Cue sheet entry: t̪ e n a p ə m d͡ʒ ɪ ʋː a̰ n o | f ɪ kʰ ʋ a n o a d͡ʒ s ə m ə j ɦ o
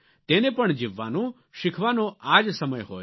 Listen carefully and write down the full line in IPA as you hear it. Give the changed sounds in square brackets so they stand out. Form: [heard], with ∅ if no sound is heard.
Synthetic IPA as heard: t̪ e n [e] p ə [ɳ] d͡ʒ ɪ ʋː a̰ n o | [ʃ] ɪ kʰ ʋ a n o a d͡ʒ s ə m ə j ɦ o